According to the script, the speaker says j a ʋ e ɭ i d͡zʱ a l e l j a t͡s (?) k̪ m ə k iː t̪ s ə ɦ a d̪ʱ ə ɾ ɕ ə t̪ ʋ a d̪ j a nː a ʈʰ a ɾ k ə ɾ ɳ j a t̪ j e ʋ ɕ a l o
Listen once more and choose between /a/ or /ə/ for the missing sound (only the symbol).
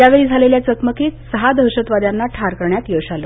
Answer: ə